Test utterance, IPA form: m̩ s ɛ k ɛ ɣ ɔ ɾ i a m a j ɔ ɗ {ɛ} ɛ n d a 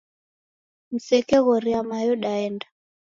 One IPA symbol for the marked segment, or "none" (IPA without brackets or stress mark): a